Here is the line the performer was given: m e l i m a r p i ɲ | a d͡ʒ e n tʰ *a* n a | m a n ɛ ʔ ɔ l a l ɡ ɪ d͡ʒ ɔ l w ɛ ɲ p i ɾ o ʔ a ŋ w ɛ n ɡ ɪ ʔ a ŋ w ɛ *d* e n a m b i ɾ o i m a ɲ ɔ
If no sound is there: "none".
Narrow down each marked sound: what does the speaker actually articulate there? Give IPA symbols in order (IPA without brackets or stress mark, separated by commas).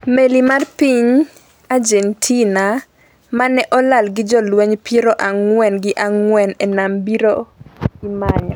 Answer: i, n